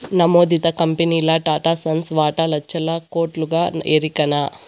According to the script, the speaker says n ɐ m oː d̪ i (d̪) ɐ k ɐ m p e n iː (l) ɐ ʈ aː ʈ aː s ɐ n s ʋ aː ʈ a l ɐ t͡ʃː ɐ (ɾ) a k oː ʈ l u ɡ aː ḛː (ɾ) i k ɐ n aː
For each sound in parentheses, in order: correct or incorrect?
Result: incorrect, correct, incorrect, correct

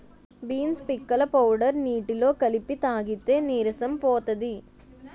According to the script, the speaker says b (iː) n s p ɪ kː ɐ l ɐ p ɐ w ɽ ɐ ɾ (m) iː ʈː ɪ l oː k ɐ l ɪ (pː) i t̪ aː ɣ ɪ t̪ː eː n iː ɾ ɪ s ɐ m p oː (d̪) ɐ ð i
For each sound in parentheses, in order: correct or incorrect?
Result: correct, incorrect, correct, incorrect

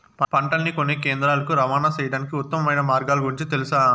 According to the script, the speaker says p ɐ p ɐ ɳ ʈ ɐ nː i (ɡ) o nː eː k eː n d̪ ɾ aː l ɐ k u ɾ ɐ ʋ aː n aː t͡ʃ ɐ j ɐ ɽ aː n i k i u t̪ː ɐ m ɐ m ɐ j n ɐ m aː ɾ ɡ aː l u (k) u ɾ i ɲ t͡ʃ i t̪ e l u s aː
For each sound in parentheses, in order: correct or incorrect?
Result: incorrect, incorrect

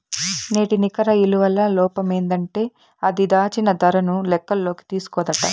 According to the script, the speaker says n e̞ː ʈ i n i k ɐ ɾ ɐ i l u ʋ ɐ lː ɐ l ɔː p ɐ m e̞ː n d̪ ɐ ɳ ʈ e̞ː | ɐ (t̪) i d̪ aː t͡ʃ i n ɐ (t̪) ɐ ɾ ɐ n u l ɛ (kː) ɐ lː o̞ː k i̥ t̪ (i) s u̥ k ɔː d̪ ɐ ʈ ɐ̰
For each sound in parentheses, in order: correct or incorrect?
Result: incorrect, incorrect, correct, incorrect

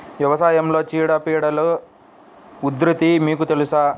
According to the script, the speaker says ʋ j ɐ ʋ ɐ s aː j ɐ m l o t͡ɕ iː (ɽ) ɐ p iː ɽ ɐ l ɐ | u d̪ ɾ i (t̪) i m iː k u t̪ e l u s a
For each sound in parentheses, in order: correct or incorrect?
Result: correct, correct

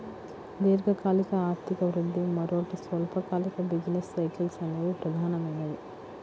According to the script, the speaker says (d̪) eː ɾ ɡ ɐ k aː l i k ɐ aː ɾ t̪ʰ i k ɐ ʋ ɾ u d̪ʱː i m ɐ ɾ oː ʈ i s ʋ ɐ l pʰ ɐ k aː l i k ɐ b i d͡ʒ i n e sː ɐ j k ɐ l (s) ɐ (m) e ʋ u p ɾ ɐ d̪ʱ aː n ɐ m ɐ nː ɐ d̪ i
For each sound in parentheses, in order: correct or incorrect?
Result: correct, correct, incorrect

